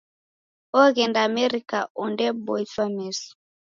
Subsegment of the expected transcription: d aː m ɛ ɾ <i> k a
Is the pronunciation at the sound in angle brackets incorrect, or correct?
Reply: correct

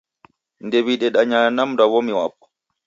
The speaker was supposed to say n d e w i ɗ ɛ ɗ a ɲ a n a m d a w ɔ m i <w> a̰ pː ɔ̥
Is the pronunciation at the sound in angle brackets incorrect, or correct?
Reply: correct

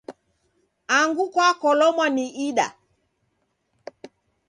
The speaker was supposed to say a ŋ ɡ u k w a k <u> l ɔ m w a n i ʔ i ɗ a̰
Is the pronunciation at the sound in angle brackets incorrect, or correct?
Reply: incorrect: ɔ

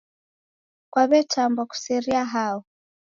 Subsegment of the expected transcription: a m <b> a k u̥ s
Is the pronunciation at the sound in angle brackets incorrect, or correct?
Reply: correct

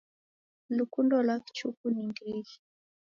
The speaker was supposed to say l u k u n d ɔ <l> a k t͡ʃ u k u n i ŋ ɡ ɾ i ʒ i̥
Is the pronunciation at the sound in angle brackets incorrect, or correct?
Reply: correct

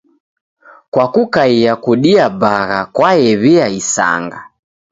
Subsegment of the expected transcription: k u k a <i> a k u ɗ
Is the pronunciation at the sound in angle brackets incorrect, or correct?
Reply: correct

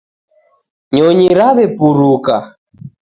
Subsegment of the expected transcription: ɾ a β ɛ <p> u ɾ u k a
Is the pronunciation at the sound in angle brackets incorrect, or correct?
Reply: correct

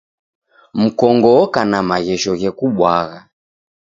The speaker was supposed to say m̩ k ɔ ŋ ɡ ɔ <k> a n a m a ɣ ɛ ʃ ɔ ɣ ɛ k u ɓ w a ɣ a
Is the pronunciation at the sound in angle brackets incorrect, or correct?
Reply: correct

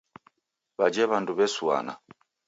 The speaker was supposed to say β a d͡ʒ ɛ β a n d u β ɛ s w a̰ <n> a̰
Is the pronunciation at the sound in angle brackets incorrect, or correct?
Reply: correct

